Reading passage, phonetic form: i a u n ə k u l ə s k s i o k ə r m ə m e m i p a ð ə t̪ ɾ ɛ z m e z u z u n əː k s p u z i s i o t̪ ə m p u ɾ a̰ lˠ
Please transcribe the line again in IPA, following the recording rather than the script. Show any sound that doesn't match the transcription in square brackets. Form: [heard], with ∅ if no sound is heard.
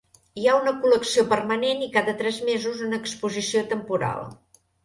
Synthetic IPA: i a u n ə k u l ə [∅] k s i o [p] ə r m ə [n] e [n] i [k] a ð ə t̪ ɾ ɛ z m e z u z u n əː k s p u z i s i o t̪ ə m p u ɾ a̰ lˠ